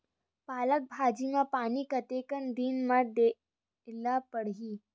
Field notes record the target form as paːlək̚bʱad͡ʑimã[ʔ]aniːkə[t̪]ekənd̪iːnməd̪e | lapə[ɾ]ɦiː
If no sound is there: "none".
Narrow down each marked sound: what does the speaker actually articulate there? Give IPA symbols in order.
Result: p, t̪, ɽ

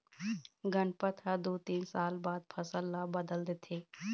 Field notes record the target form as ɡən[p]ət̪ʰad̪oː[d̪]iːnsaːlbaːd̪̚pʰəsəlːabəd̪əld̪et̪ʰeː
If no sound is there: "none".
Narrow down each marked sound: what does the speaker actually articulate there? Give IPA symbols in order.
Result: p, t̪

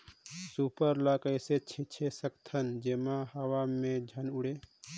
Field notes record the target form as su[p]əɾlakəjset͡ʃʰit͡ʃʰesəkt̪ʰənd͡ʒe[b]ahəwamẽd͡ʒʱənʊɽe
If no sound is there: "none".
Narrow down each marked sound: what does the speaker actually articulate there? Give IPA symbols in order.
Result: p, m

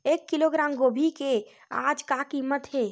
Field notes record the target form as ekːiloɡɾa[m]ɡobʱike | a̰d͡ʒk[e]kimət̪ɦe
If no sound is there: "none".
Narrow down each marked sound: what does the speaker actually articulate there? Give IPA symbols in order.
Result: m, a

